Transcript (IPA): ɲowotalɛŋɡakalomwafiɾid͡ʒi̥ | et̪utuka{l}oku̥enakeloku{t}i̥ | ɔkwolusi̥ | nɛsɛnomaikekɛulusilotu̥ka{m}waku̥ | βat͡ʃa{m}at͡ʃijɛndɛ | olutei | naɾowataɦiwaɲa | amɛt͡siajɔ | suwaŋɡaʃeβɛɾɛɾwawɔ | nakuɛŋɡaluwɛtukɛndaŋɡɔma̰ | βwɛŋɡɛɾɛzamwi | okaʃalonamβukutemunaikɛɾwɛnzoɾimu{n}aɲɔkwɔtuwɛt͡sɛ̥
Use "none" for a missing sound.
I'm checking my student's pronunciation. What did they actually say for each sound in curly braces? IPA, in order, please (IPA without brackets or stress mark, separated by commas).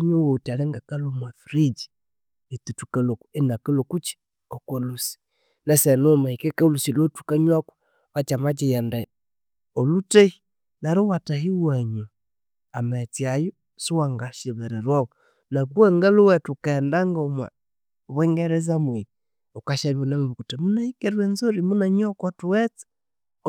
l, t͡ʃ, ɲ, m, n